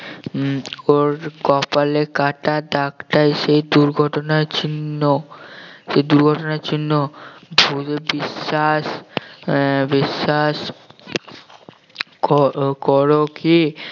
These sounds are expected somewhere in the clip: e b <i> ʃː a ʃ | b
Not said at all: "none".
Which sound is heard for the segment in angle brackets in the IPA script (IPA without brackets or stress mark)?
i